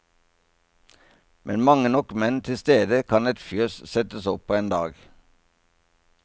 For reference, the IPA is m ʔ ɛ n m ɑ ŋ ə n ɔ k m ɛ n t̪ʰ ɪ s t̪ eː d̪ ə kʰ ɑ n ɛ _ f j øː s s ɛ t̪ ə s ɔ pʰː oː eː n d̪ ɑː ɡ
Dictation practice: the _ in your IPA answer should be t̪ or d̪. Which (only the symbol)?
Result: t̪